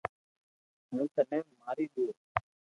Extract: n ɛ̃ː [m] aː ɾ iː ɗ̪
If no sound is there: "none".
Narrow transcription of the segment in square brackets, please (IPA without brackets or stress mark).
m